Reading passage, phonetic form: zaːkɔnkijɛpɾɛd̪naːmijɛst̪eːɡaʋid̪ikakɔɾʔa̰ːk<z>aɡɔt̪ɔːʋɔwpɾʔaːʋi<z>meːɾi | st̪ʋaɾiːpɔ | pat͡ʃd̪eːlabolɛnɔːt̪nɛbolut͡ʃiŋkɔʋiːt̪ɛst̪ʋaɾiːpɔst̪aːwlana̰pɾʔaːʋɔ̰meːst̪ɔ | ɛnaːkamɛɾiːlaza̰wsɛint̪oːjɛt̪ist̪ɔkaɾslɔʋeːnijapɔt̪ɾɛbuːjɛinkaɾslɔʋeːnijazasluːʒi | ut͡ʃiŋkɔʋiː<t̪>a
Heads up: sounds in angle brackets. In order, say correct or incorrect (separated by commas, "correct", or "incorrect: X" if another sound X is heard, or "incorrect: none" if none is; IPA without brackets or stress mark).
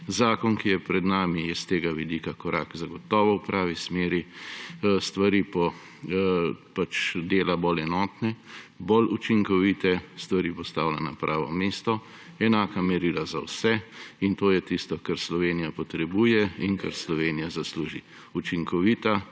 correct, incorrect: s, correct